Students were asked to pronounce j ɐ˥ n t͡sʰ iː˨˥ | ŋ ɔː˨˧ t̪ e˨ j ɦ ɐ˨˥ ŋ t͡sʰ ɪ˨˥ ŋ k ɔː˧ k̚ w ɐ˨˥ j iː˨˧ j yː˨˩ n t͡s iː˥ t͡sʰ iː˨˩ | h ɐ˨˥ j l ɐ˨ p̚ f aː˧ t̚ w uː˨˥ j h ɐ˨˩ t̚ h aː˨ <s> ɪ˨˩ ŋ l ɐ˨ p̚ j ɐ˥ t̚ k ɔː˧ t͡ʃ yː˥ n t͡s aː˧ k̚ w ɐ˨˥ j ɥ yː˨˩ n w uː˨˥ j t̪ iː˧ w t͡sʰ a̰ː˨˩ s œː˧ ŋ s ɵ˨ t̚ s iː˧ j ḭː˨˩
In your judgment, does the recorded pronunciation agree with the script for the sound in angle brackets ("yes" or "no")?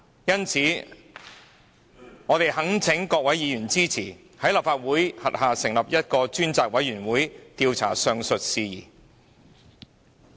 yes